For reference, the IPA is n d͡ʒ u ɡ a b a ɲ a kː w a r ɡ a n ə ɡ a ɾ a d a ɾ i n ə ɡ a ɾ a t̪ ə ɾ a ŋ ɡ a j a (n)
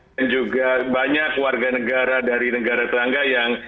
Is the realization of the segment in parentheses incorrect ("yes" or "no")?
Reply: yes